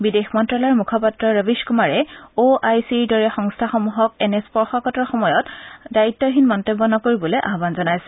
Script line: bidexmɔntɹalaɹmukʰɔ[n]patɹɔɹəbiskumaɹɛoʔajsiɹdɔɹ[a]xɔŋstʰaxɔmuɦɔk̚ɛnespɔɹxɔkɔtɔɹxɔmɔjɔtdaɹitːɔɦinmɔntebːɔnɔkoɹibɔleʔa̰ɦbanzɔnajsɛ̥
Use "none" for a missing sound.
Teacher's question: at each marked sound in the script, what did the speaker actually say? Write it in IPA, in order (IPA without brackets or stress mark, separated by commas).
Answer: none, ɛ